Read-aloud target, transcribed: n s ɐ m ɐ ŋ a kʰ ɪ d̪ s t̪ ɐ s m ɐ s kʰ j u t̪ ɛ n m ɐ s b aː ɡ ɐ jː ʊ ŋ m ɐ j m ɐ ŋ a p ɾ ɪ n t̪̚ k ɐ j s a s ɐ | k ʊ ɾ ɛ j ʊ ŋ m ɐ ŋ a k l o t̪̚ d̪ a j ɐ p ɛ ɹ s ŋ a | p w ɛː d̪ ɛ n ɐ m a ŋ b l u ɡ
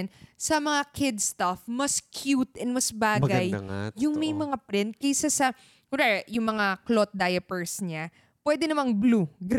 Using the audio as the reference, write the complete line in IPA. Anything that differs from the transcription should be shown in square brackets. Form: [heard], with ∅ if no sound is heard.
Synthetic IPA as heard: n s ɐ m ɐ ŋ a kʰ ɪ d̪ s t̪ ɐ [f] m ɐ s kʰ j u t̪ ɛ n m ɐ s b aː ɡ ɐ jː ʊ ŋ m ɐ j m ɐ ŋ a p ɾ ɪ n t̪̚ k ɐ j s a s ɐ | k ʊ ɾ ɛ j ʊ ŋ m ɐ ŋ a k l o t̪̚ d̪ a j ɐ p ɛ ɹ s [ɲ] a | p w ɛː d̪ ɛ n ɐ m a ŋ b l u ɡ